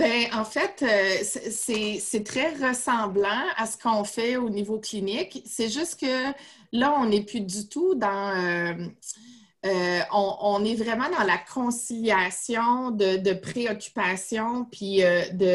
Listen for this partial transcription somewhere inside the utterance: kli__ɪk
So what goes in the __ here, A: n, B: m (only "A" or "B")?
A